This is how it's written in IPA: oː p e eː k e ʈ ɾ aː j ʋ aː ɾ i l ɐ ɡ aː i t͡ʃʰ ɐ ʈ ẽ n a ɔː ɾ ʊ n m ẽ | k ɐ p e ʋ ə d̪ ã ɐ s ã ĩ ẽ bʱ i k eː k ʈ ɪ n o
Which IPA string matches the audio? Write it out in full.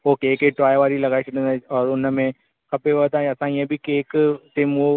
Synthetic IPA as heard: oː k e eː k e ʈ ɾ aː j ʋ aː ɾ i l ɐ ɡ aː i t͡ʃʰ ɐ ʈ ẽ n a ɔː ɾ ʊ n m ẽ | k ɐ p e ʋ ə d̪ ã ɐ s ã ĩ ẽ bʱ i k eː k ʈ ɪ m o